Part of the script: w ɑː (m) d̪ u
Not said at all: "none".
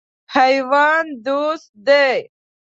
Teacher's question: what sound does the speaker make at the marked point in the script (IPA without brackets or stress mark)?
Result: n